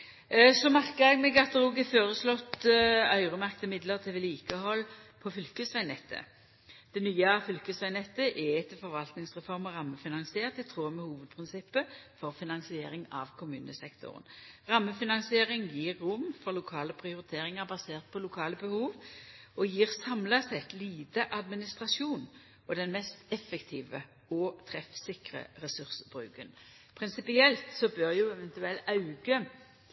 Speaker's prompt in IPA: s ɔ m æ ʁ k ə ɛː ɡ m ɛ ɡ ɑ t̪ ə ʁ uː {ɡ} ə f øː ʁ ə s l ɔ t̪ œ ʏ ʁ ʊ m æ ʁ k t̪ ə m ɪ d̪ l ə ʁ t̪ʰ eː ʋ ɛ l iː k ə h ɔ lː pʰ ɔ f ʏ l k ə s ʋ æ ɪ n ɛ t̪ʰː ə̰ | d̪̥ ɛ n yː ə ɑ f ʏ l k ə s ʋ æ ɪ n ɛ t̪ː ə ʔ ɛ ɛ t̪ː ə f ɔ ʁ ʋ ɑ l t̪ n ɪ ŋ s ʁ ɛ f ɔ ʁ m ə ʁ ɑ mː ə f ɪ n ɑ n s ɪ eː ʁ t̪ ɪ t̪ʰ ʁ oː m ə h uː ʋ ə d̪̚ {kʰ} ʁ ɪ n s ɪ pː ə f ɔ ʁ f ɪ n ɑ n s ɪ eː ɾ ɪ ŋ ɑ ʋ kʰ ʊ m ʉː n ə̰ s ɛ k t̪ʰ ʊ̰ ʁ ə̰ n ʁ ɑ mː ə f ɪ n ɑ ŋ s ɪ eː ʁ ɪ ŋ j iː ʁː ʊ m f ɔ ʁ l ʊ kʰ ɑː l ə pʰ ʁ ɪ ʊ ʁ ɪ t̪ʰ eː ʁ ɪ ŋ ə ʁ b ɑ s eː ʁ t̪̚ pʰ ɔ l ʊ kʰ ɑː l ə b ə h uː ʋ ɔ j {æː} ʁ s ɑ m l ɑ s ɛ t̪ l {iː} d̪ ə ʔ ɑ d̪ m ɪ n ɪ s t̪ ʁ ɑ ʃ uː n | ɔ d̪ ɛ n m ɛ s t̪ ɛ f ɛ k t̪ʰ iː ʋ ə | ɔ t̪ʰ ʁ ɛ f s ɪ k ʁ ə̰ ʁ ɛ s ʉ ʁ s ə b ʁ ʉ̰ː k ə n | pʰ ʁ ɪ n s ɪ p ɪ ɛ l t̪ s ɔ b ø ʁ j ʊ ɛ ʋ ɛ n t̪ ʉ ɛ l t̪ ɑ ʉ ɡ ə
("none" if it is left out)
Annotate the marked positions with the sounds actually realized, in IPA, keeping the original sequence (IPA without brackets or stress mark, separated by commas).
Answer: ɡ, pʰ, iː, iː